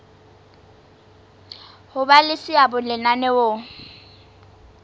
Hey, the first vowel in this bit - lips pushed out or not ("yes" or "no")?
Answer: yes